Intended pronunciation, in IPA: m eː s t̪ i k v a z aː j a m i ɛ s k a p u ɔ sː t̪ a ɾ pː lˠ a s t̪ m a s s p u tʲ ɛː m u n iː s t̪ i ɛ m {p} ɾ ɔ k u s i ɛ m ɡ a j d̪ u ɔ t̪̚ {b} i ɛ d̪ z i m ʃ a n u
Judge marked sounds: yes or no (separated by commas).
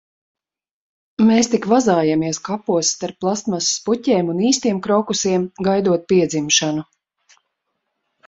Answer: no, no